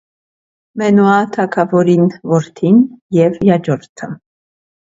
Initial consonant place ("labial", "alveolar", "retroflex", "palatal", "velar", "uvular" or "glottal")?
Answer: labial